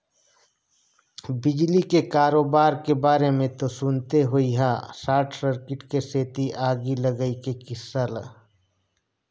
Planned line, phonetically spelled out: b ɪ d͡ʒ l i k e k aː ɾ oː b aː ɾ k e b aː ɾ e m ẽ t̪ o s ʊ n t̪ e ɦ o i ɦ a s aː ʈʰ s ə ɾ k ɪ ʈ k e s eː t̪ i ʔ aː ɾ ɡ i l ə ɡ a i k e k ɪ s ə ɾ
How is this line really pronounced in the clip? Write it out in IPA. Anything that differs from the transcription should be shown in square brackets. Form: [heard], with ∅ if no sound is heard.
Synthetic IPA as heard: b ɪ d͡ʒ l i k e k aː ɾ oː b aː ɾ k e b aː ɾ e m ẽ t̪ o s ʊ n t̪ e ɦ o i ɦ a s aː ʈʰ s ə ɾ k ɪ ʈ k e s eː t̪ i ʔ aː [∅] ɡ i l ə ɡ [ə] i k e k ɪ s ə [l]